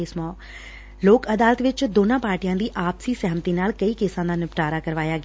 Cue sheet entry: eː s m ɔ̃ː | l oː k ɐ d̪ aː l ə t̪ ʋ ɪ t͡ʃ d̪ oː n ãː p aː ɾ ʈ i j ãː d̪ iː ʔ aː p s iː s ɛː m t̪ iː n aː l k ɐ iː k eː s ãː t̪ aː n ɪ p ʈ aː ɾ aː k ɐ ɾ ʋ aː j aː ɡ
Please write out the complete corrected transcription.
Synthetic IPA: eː s m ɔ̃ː | l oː k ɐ d̪ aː l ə t̪ ʋ ɪ t͡ʃ d̪ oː n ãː p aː ɾ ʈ i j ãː d̪ iː ʔ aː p s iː s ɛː m t̪ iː n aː l k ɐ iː k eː s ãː d̪ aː n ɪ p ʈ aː ɾ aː k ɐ ɾ ʋ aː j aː ɡ